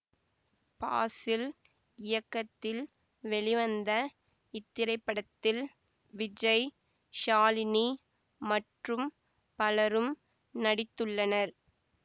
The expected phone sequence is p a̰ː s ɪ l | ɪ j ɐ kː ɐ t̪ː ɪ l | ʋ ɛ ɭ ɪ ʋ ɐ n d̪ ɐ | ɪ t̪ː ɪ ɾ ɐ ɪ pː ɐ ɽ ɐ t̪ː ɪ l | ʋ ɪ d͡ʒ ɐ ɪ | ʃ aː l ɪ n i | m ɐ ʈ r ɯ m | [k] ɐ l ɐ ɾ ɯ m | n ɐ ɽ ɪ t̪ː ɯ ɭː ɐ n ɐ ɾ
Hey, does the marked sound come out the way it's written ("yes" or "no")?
no